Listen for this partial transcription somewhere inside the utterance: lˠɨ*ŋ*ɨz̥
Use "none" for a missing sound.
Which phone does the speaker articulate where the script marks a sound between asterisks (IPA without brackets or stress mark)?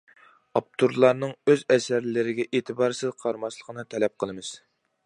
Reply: m